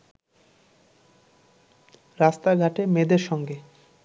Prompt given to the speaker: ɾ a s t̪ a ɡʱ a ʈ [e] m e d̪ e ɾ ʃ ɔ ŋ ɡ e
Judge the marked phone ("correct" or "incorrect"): correct